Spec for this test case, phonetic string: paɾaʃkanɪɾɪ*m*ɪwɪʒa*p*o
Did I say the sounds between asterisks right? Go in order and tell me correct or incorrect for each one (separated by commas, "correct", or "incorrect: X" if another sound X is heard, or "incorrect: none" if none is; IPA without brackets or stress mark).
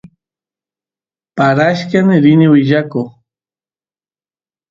incorrect: n, incorrect: k